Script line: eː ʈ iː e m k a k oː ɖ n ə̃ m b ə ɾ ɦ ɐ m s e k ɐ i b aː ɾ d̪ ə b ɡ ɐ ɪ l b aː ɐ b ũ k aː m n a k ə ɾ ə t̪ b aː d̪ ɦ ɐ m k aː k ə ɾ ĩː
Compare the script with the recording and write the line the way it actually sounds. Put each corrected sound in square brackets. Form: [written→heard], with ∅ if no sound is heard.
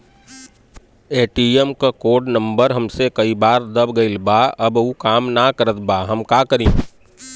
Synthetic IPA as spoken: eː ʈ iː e m k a k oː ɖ n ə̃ m b ə ɾ ɦ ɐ m s e k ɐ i b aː ɾ d̪ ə b ɡ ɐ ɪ l b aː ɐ b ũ k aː m n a k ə ɾ ə t̪ b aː [d̪→∅] ɦ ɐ m k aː k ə ɾ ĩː